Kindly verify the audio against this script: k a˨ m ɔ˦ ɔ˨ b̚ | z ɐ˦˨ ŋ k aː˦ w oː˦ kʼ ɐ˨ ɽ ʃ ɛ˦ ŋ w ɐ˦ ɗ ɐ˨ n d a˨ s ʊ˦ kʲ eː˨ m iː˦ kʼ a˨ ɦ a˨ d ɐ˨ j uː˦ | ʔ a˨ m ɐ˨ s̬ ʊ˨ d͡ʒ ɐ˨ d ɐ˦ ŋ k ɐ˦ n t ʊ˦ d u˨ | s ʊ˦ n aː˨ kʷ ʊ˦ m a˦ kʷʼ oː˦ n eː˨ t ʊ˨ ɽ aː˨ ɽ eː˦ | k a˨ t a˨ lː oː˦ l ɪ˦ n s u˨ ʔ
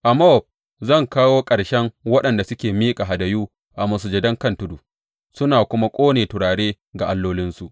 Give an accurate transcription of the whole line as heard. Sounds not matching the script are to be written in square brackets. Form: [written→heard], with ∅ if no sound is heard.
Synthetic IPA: [k→ʔ] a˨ m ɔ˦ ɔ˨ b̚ | z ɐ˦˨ ŋ k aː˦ w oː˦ kʼ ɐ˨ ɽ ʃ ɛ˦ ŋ w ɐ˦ ɗ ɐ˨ n d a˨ s ʊ˦ kʲ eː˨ m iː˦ kʼ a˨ ɦ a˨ d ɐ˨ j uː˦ | ʔ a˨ m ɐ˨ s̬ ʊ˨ d͡ʒ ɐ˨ d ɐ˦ ŋ k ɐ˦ n t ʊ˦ d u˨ | s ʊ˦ n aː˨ kʷ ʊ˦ m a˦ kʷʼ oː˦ n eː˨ t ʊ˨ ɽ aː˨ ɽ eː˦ | [k→ɡ] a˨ [t→ʔ] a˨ lː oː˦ l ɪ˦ n s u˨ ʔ